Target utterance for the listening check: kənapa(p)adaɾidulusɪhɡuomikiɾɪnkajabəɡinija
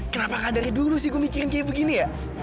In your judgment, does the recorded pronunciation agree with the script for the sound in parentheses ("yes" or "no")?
no